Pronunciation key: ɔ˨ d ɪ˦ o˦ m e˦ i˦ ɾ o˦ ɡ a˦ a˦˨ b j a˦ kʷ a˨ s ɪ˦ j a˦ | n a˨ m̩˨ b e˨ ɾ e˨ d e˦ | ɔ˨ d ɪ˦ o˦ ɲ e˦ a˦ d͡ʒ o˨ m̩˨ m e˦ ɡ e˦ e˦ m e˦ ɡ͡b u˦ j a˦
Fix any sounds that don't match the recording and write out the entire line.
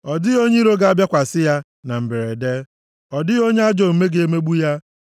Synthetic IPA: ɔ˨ d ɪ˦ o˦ ɲ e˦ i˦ ɾ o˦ ɡ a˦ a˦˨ b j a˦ kʷ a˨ s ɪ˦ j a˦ | n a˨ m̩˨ b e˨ ɾ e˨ d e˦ | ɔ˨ d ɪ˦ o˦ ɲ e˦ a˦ d͡ʒ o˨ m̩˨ m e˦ ɡ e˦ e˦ m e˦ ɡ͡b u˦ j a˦